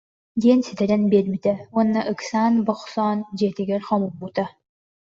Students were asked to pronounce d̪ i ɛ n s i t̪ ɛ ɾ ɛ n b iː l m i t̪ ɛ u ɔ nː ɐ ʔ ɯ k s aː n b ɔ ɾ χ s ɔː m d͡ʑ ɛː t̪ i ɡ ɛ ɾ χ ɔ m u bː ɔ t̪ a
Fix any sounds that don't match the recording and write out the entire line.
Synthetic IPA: d̪ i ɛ n s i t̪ ɛ ɾ ɛ n b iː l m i t̪ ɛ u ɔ nː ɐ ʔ ɯ k s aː n b ɔ χ s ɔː n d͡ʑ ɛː t̪ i ɡ ɛ ɾ χ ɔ m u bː u t̪ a